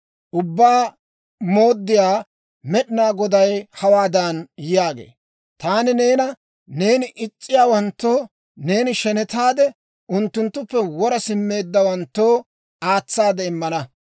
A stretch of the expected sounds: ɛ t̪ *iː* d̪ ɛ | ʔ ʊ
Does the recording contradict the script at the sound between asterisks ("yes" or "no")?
yes